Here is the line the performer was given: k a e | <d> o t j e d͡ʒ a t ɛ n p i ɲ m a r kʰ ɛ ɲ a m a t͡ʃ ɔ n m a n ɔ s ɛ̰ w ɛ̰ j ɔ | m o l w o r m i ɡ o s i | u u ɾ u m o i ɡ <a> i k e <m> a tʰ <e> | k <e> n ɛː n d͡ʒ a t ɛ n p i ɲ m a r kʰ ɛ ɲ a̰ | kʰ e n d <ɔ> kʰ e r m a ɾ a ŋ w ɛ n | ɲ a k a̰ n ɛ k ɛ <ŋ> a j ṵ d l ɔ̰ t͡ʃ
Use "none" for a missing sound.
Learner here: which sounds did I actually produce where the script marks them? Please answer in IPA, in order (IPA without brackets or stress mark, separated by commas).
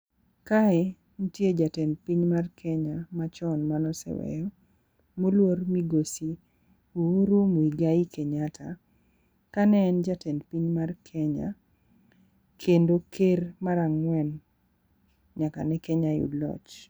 n, a, ɲ, a, a, o, ɲ